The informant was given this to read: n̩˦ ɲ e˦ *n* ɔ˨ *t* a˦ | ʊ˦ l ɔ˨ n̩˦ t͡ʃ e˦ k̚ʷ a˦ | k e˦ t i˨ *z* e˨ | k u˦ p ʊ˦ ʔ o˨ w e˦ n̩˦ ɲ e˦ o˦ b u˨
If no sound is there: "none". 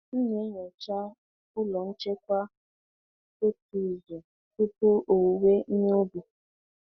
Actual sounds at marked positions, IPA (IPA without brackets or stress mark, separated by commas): ɲ, t͡ʃ, z